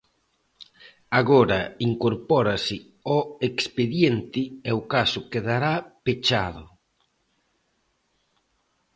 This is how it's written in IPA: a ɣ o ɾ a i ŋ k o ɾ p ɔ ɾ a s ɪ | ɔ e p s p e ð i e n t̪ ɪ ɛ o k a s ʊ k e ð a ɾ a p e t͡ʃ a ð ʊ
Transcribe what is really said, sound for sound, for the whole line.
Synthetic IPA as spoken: a ɣ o ɾ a i ŋ k o ɾ p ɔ ɾ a s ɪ | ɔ e k s p e ð j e n t̪ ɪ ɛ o k a s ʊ k e ð a ɾ a p e t͡ʃ a ð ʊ